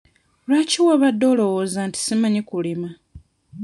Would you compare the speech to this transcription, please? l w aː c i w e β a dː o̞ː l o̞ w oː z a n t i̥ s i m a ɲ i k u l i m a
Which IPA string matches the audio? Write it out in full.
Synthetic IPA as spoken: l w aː c i w a β a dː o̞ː l o̞ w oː z a n t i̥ s i m a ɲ i k u l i m a

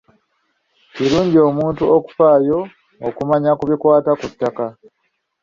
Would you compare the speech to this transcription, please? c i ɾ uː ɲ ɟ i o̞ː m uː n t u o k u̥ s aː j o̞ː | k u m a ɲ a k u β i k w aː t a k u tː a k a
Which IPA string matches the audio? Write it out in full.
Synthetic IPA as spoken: c i ɾ uː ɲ ɟ i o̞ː m uː n t u o k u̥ f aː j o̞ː | k u m a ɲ a k u β i k w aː t a k u tː a k a

